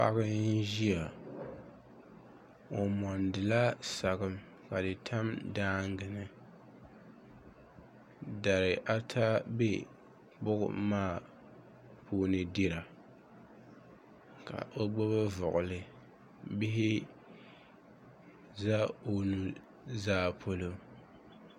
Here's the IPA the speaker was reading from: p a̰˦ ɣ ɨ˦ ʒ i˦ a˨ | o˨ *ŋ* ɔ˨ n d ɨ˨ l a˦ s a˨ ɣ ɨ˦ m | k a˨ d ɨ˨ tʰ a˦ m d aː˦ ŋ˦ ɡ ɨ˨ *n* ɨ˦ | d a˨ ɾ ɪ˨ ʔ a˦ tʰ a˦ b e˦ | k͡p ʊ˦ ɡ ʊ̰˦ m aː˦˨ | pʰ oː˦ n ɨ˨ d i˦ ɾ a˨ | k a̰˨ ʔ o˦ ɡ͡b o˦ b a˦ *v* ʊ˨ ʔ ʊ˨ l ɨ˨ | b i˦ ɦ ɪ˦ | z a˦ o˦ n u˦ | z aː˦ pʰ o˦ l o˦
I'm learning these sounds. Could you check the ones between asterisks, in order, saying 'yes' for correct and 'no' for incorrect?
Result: no, yes, yes

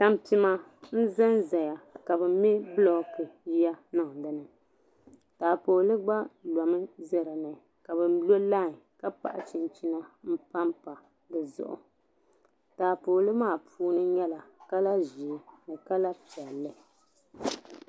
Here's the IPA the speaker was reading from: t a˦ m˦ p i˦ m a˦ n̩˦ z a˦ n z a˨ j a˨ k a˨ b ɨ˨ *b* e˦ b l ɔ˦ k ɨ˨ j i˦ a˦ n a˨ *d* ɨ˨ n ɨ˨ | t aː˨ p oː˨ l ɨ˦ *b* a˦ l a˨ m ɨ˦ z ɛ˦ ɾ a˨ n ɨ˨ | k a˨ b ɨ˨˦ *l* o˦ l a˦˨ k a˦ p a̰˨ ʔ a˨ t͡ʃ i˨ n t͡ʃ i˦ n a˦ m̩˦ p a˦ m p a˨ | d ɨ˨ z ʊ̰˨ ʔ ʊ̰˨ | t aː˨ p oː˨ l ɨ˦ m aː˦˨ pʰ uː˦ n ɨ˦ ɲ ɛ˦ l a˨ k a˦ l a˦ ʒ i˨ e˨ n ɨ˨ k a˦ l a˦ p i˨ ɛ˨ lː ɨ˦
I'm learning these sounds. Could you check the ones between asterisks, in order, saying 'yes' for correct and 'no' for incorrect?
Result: no, yes, no, yes

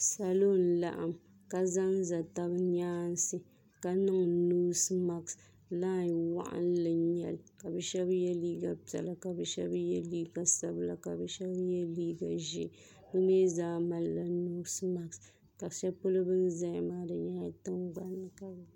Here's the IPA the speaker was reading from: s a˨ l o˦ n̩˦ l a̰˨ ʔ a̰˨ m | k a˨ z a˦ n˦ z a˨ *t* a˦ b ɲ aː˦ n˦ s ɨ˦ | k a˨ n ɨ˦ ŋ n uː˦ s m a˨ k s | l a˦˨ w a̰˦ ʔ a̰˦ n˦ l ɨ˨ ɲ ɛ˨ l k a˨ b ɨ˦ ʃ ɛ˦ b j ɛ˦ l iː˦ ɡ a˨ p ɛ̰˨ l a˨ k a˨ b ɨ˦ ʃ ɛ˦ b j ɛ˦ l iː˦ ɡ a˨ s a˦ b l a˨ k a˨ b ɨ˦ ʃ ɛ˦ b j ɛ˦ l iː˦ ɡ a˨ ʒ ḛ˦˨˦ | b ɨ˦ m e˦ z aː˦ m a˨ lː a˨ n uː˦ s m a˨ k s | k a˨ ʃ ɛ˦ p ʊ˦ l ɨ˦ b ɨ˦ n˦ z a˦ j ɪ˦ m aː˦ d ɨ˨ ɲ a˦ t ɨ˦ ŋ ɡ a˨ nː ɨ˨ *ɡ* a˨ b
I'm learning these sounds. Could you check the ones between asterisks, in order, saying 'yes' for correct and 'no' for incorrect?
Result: yes, no

